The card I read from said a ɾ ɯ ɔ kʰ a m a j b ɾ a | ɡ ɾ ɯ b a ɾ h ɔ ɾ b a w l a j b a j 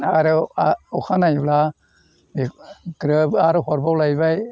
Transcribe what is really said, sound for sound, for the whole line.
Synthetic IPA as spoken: a ɾ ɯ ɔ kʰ a n a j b l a | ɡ ɾ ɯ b a ɾ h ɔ ɾ b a w l a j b a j